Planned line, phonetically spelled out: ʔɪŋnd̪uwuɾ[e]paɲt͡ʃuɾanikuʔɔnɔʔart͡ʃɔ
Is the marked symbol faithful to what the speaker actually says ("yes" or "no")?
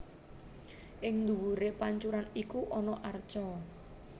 yes